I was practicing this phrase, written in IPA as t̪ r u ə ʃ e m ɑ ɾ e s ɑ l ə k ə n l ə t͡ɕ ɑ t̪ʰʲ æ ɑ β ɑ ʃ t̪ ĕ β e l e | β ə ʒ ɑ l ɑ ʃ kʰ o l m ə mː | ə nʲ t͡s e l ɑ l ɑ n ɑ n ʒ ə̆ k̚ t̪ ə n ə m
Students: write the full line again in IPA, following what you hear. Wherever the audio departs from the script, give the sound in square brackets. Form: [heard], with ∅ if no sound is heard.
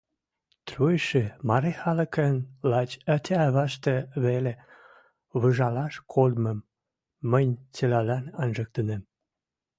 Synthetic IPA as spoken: t̪ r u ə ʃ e m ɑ ɾ e [x] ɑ l ə k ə n l [ɑ] t͡ɕ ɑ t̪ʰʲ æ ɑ β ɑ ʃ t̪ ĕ β e l e | β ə ʒ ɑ l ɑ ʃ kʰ o l m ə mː | ə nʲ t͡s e l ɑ l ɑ n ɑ n ʒ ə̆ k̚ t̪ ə n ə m